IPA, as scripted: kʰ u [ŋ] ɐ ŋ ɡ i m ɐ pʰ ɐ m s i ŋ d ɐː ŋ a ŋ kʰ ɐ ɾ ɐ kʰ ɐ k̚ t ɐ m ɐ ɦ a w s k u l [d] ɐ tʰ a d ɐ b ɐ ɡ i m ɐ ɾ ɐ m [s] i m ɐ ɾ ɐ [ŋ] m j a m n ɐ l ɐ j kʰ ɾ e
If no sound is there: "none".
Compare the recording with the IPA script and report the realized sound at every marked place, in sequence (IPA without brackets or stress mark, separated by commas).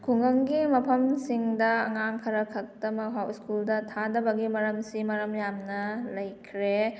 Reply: ŋ, d, s, none